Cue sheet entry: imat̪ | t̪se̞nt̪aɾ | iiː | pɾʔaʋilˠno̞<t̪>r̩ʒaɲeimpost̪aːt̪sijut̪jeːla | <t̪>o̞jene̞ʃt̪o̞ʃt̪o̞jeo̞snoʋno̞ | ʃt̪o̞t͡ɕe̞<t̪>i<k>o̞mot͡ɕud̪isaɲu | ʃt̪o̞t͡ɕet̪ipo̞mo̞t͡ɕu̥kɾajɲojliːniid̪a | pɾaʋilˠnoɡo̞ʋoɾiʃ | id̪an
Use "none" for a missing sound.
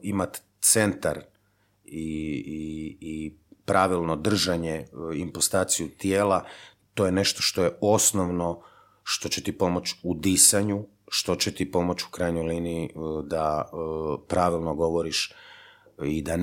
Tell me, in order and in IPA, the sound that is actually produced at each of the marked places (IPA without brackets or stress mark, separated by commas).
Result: d̪, t̪, t̪, p